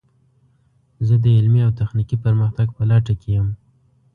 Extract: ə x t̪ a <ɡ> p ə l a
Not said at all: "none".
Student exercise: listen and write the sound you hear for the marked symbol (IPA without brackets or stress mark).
ɡ